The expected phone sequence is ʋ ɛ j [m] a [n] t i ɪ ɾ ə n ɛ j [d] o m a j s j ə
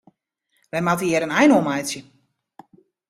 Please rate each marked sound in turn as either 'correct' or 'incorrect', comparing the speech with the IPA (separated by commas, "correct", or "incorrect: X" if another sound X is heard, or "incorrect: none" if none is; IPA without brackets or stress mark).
correct, incorrect: none, incorrect: n